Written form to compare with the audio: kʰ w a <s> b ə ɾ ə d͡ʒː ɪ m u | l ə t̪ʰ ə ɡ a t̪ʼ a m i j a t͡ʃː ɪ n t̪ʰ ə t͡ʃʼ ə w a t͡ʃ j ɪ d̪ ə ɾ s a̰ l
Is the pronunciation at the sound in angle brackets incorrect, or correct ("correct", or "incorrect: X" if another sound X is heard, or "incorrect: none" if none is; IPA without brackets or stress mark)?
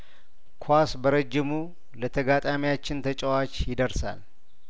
correct